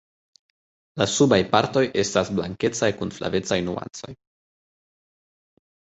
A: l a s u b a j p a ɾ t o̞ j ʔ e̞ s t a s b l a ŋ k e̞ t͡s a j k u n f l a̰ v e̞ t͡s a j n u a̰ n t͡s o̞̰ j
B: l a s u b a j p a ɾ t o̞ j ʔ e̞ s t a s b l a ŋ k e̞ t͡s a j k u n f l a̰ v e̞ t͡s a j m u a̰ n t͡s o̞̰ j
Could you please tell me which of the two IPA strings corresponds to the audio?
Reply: A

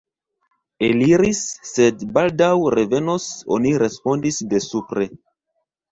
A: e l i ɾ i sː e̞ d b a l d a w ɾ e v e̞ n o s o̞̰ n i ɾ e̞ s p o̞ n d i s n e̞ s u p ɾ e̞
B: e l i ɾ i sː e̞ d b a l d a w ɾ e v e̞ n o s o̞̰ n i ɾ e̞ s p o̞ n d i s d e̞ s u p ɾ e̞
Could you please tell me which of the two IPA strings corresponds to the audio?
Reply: B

